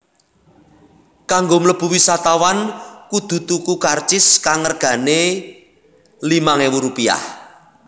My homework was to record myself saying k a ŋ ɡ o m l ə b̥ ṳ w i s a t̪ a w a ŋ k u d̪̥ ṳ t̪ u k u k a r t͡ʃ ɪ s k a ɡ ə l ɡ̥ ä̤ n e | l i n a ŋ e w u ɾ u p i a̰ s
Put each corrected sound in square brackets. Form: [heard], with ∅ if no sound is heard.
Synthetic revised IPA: k a ŋ ɡ o m l ə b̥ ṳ w i s a t̪ a w a [n] k u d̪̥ ṳ t̪ u k u k a r t͡ʃ ɪ s k a [ŋ] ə [r] ɡ̥ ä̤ n e | l i [m] a ŋ e w u ɾ u p i a̰ [h]